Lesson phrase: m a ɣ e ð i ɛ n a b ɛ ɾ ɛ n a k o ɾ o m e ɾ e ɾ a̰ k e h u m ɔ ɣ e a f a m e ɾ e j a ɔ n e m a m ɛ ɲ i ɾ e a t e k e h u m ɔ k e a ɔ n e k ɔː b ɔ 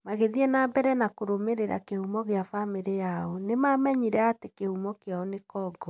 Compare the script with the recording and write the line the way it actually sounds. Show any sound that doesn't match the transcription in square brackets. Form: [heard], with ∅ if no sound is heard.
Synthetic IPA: m a ɣ e ð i ɛ n a b ɛ ɾ ɛ n a k o ɾ o m e ɾ e ɾ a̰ k e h u m ɔ ɣ e a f a m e ɾ e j a ɔ n e m a m ɛ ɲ i ɾ [ɛ] a t e k e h u m ɔ k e a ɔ n e k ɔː [ɡ] ɔ